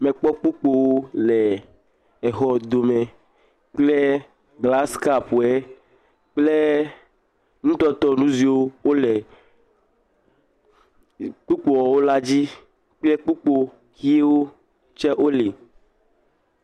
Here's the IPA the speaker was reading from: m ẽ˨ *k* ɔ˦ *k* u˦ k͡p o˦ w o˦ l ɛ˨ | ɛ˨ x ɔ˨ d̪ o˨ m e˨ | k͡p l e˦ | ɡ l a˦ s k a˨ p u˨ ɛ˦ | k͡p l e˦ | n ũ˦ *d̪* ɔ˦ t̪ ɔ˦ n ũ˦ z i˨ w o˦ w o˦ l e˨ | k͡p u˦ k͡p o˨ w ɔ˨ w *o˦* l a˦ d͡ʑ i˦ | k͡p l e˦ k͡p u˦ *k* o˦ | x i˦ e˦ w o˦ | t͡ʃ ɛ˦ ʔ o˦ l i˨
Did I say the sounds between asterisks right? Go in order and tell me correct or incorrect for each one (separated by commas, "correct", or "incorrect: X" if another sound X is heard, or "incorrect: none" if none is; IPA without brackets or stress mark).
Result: incorrect: k͡p, incorrect: k͡p, incorrect: t̪, correct, incorrect: k͡p